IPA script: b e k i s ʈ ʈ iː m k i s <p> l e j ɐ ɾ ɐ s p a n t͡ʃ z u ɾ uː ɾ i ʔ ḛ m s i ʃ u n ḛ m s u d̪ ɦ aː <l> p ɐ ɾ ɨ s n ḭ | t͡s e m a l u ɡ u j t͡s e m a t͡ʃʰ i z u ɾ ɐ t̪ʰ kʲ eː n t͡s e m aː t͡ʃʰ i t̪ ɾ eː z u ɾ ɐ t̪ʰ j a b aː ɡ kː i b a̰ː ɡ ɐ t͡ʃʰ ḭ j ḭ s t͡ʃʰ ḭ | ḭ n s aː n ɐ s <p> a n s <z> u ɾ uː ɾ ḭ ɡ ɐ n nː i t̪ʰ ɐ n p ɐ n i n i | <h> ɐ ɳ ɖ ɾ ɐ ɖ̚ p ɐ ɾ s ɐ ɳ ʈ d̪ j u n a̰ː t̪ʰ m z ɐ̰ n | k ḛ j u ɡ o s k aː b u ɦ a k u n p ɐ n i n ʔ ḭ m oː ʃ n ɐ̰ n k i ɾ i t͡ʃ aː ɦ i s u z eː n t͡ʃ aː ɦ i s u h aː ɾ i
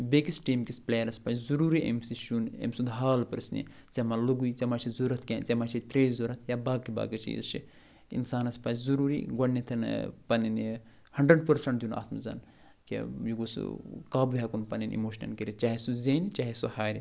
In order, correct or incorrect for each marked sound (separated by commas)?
correct, correct, correct, correct, correct